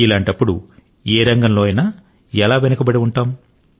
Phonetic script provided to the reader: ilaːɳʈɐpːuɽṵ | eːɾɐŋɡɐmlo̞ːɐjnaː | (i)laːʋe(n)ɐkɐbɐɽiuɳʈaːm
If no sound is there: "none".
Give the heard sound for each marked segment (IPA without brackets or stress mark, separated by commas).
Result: ɛ, n